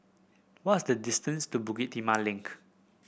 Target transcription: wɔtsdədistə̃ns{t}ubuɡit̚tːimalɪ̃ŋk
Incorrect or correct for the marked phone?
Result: correct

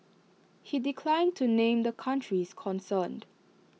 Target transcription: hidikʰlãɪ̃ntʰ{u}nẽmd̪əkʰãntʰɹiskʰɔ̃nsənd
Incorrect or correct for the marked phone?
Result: correct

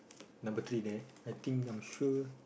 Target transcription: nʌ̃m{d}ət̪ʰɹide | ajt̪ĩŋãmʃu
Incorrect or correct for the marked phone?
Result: incorrect: b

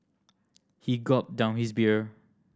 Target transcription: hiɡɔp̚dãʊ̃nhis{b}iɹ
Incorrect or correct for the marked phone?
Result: correct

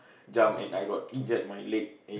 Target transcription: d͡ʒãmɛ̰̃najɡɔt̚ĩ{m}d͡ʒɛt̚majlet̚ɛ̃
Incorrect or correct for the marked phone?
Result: incorrect: n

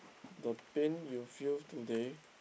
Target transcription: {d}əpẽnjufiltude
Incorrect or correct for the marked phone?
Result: correct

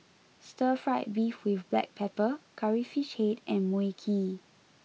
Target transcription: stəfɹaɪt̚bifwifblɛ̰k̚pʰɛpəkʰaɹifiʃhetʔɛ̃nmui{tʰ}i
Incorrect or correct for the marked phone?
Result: incorrect: kʰ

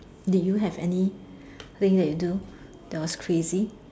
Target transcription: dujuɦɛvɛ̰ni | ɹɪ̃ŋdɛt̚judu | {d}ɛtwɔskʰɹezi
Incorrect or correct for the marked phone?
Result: correct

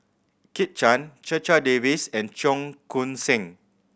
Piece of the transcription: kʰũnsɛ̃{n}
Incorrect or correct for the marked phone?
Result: incorrect: ŋ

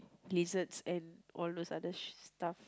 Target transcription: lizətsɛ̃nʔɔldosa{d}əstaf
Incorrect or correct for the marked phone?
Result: correct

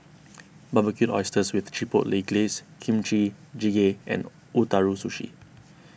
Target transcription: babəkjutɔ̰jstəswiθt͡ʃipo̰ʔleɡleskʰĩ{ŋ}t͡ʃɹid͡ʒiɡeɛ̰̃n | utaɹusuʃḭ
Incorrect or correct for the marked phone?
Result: incorrect: m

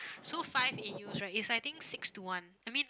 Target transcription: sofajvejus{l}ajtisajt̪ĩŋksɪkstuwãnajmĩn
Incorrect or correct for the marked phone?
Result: incorrect: ɹ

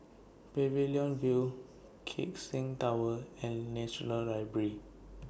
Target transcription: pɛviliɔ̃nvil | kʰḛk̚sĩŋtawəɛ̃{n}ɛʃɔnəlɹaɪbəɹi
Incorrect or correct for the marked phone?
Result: incorrect: nː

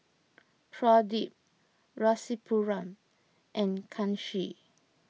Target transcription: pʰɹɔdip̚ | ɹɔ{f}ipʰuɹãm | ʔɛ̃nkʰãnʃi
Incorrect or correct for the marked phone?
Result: incorrect: s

